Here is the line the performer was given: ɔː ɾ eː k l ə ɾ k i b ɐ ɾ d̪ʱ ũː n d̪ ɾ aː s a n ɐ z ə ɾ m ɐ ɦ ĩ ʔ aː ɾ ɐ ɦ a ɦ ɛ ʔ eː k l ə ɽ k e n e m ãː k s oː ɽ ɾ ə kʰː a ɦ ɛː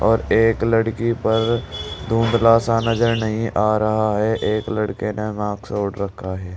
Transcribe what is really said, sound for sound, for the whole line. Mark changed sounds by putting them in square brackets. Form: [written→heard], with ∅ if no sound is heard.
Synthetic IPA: ɔː ɾ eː k l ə [ɾ→ɽ] k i [b→p] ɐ ɾ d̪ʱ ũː n d̪ [ɾ→l] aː s a n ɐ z ə ɾ [m→n] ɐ ɦ ĩ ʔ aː ɾ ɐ ɦ a ɦ ɛ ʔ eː k l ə ɽ k e n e m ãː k s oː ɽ ɾ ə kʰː a ɦ ɛː